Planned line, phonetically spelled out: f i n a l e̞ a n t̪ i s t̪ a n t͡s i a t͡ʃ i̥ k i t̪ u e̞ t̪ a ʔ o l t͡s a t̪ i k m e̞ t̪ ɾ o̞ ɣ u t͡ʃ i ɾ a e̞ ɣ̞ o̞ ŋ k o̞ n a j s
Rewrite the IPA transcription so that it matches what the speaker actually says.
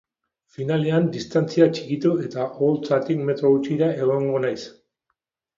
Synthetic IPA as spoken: f i n a l e̞ a n d̪ i s t̪ a n t͡s i a t͡ʃ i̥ k i t̪ u e̞ t̪ a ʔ o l t͡s a t̪ i k m e̞ t̪ ɾ o̞ ɣ u t͡ʃ i ɾ a e̞ ɣ̞ o̞ ŋ ɡ o̞ n a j s